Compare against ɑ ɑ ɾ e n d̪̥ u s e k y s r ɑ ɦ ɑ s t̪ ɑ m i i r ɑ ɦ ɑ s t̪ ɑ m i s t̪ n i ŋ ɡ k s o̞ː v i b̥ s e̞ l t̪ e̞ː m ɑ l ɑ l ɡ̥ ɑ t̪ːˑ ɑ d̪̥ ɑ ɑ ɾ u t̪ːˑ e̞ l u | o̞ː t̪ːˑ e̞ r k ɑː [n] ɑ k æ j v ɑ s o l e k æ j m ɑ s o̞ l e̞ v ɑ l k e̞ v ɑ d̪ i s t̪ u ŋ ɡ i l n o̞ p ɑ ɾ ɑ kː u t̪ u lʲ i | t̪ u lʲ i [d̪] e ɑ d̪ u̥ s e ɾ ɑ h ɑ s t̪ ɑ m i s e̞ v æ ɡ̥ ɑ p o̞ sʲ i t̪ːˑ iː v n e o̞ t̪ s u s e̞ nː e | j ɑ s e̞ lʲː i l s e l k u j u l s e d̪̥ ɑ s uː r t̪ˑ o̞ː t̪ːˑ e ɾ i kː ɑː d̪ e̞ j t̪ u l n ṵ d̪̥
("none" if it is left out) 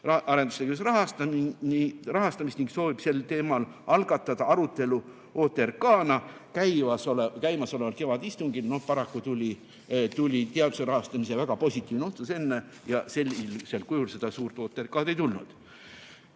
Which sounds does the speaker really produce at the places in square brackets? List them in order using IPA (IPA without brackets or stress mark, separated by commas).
n, t̪